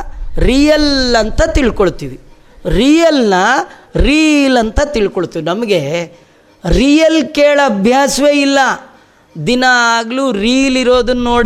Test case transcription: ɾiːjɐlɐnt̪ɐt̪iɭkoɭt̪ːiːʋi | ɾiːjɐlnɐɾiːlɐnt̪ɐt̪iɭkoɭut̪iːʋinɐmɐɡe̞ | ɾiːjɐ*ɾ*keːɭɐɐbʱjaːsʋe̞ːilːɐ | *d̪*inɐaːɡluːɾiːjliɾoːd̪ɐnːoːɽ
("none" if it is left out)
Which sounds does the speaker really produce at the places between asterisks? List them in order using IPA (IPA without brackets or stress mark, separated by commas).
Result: l, d̪